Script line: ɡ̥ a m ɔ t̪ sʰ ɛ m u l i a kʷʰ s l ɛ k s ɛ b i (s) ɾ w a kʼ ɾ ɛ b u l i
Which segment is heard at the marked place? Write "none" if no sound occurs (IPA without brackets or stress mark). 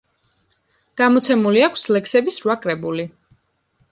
s